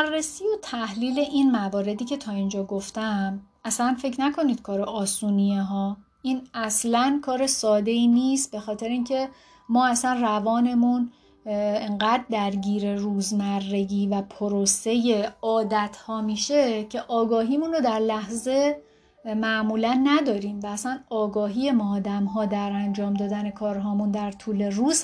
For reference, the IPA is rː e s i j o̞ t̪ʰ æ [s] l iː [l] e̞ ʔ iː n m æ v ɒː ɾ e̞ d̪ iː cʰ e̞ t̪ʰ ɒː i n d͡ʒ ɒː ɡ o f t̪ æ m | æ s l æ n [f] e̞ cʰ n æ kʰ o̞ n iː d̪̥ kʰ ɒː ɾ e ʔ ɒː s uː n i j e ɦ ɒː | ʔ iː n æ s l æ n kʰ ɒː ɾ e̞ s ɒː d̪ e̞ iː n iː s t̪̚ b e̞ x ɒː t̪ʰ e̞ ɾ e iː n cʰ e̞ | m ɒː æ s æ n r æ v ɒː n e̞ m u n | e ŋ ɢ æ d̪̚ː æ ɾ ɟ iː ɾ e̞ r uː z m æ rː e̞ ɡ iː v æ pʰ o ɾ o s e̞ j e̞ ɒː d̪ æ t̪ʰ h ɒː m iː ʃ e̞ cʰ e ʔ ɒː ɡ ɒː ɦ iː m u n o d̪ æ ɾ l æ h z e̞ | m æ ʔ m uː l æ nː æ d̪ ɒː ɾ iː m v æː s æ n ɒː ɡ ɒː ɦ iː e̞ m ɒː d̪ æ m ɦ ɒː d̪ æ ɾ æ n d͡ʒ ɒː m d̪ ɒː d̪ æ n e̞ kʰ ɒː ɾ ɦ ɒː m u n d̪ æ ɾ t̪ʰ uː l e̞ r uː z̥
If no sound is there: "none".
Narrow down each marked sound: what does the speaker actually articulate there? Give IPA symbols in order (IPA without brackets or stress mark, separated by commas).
h, l, f